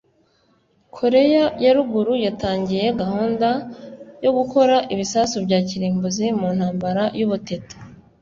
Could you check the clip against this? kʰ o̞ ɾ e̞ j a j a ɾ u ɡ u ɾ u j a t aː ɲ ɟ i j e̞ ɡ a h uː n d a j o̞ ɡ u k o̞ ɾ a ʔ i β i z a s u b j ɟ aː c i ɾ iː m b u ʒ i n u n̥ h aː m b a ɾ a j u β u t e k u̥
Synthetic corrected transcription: kʰ o̞ ɾ e̞ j a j a ɾ u ɡ u ɾ u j a t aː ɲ ɟ i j e̞ ɡ a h uː n d a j o̞ ɡ u k o̞ ɾ a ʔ i β i s a s u b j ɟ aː c i ɾ iː m b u z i m u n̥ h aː m b a ɾ a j u β u t e t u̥